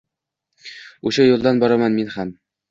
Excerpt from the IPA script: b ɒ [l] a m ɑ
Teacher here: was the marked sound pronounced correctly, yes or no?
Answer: no